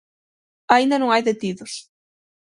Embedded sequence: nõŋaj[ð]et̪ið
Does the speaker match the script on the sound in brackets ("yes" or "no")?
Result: yes